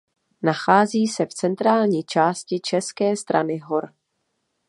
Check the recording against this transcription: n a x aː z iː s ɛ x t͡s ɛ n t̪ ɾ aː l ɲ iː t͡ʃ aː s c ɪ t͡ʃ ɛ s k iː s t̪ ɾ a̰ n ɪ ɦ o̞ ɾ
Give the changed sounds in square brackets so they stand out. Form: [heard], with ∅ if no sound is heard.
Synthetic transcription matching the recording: n a x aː z iː s ɛ [f] t͡s ɛ n t̪ ɾ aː l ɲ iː t͡ʃ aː s c ɪ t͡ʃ ɛ s k [ɛː] s t̪ ɾ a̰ n ɪ ɦ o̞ ɾ